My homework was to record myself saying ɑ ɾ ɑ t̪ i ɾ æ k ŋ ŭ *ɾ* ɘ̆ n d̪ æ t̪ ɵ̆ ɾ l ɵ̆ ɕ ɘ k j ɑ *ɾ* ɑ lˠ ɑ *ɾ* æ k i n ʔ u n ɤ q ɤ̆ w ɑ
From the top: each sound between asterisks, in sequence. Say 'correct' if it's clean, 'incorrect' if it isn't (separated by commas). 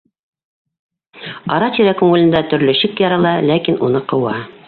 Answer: incorrect, correct, incorrect